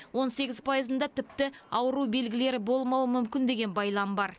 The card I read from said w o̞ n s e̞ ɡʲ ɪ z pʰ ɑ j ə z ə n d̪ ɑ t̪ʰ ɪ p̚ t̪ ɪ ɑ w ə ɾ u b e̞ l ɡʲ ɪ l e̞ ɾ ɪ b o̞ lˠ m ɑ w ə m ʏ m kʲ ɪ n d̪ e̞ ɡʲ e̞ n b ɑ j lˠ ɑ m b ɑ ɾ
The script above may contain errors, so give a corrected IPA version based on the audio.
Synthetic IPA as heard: w o̞ n s e̞ ɡʲ ɪ z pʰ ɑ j ə z ə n d̪ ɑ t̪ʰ ɪ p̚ t̪ ɪ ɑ w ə ɾ u b e̞ l ɡʲ ɪ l e̞ ɾ ɪ b o̞ lˠ m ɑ w ə m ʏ m kʲ ɪ n d̪ e̞ ɡʲ e̞ n b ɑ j lˠ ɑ m b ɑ ɾ